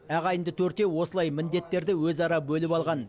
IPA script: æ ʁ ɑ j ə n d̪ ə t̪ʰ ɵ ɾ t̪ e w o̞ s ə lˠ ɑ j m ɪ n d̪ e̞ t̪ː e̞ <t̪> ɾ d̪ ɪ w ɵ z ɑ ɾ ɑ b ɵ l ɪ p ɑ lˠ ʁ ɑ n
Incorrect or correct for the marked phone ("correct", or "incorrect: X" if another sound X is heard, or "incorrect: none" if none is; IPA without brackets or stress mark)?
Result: incorrect: none